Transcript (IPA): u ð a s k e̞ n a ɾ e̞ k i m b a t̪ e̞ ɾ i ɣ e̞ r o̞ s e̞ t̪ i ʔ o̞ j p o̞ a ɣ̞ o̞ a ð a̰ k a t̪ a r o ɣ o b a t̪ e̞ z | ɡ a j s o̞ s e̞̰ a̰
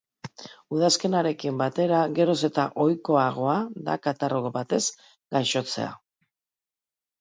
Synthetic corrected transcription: u ð a s k e̞ n a ɾ e̞ k i m b a t̪ e̞ ɾ a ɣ e̞ ɾ o̞ s e̞ t̪ a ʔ o̞ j k o̞ a ɣ̞ o̞ a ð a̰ k a t̪ a r o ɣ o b a t̪ e̞ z | ɡ a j ʃ o̞ t͡s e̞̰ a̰